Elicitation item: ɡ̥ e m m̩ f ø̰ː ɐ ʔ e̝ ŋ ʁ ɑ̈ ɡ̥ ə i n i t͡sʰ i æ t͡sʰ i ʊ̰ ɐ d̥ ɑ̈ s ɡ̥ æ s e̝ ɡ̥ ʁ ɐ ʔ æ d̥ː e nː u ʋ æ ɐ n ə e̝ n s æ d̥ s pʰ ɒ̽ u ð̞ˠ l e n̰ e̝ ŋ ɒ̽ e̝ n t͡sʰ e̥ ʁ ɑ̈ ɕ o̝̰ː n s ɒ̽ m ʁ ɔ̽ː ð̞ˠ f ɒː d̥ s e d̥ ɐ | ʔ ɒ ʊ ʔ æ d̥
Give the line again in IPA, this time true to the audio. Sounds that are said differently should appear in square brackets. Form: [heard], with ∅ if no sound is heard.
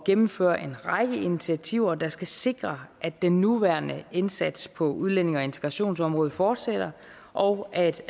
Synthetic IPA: ɡ̥ e m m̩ f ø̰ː ɐ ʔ e̝ [n] ʁ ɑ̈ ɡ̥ ə i n i t͡sʰ i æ t͡sʰ i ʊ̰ ɐ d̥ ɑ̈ s ɡ̥ æ s e̝ ɡ̥ ʁ ɐ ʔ æ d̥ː e nː u ʋ æ ɐ n ə e̝ n s æ d̥ s pʰ ɒ̽ u ð̞ˠ l e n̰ e̝ ŋ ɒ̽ e̝ n t͡sʰ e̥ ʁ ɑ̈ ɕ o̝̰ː n s ɒ̽ m ʁ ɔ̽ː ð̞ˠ f ɒː d̥ s e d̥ ɐ | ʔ ɒ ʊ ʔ æ d̥